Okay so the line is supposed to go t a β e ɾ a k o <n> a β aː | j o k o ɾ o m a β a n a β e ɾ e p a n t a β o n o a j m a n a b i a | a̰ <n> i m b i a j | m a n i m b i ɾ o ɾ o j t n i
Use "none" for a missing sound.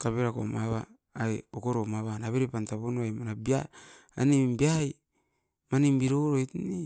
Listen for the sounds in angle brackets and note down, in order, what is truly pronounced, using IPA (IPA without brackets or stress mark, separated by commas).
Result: m, n